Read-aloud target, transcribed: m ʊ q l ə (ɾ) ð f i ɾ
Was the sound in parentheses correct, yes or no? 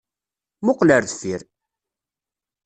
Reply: yes